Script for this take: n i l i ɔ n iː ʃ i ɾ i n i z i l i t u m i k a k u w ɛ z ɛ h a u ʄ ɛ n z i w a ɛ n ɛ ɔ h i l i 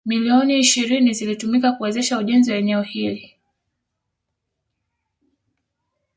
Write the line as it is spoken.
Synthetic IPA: m i l i ɔ n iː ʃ i ɾ i n i z i l i t u m i k a k u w ɛ z ɛ ʃ a u ʄ ɛ n z i w a ɛ n ɛ ɔ h i l i